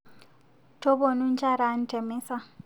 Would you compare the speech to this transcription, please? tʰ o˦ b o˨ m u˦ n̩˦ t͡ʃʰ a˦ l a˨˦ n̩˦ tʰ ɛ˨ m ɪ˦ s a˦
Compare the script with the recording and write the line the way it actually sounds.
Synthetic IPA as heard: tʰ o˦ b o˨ n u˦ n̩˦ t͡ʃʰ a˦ ɾ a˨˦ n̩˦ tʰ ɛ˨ m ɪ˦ s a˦